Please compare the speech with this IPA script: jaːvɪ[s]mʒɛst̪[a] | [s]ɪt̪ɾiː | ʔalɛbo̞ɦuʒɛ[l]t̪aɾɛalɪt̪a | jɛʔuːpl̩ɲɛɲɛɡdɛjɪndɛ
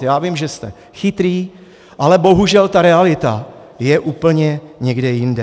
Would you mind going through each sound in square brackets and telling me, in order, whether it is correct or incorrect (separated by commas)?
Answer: incorrect, incorrect, incorrect, correct